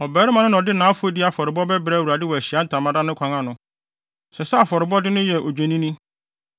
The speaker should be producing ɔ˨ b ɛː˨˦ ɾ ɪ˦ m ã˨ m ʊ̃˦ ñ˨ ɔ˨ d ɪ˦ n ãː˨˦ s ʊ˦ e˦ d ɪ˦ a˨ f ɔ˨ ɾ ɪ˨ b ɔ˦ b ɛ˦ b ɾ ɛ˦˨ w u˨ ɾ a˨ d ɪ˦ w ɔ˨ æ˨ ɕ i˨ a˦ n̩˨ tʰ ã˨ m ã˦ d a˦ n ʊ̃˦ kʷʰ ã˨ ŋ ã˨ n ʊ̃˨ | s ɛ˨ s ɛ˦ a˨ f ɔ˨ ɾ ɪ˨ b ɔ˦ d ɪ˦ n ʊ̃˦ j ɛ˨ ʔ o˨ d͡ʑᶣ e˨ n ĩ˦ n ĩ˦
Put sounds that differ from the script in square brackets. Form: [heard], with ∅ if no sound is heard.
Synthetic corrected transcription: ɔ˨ b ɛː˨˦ ɾ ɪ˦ m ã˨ [n] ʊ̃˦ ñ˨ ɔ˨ d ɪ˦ n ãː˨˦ [f] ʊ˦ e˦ d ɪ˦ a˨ f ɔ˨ ɾ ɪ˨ b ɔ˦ b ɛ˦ b ɾ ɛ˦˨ w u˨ ɾ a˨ d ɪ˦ w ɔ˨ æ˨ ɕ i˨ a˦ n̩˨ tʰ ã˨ m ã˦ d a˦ n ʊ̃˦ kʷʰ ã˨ ŋ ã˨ n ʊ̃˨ | s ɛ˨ s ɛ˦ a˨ f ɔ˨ ɾ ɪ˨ b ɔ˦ d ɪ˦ n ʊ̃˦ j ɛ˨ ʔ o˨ d͡ʑᶣ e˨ n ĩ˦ n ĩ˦

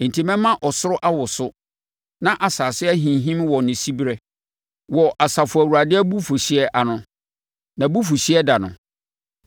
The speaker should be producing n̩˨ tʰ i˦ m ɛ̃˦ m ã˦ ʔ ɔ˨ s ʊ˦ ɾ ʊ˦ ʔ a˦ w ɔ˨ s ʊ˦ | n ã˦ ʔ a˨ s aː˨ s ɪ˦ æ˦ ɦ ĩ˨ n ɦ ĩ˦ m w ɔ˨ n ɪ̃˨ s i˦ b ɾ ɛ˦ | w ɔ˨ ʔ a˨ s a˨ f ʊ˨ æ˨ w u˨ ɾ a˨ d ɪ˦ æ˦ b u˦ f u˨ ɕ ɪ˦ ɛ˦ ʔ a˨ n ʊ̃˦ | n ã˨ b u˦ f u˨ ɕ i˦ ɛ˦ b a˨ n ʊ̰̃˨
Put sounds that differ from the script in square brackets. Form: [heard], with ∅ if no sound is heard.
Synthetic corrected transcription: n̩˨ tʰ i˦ m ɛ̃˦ m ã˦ ʔ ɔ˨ s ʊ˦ ɾ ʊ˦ ʔ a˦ w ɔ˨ s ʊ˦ | n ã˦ ʔ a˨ s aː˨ s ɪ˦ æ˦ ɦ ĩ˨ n ɦ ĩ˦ m w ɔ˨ n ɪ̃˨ s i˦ b ɾ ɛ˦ | w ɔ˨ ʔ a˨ s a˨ f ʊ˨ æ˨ w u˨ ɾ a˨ d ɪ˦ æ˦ b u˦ f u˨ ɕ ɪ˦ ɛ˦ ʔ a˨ n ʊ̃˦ | n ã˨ b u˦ f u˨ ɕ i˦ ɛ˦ [d] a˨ n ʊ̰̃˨

